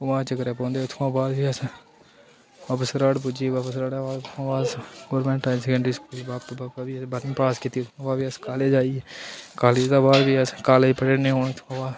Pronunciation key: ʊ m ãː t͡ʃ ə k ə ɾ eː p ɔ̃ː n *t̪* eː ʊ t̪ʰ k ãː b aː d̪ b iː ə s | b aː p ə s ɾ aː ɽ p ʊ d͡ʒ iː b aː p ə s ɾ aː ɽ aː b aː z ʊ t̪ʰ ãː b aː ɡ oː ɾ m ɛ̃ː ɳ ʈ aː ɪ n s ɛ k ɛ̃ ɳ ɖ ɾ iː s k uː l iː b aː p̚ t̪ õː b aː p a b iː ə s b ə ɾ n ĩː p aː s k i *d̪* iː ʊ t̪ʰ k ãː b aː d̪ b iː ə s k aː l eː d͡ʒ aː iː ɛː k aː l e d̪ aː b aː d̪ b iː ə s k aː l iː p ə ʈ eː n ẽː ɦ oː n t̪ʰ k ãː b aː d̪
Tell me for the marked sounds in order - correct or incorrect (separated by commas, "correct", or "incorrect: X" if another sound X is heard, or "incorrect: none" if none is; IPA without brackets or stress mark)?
incorrect: d̪, incorrect: t̪